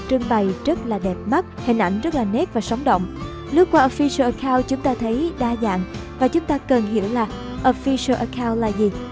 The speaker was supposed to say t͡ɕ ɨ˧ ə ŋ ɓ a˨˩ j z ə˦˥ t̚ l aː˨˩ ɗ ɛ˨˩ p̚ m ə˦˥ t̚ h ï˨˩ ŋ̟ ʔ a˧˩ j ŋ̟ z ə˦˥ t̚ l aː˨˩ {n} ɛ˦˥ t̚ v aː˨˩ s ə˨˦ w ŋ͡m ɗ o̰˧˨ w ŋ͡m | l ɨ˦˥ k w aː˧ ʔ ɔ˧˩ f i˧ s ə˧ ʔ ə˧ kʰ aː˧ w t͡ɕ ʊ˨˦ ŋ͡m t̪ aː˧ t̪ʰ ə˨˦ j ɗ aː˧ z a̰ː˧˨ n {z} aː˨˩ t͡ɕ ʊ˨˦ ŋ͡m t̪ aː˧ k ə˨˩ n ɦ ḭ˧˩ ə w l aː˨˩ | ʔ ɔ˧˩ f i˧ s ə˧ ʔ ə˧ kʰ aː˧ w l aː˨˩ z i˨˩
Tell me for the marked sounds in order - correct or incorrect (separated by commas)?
correct, incorrect